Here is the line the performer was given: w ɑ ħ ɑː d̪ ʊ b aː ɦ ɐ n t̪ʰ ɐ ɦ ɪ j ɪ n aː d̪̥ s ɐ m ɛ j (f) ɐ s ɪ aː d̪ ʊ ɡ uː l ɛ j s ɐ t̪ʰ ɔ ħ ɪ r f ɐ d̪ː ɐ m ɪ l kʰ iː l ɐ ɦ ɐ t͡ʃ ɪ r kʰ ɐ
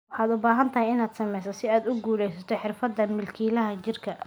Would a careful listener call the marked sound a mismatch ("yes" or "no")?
yes